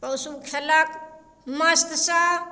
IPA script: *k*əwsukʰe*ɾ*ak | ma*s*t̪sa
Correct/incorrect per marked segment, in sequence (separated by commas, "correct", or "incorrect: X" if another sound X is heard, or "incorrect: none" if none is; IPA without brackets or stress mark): incorrect: p, incorrect: l, correct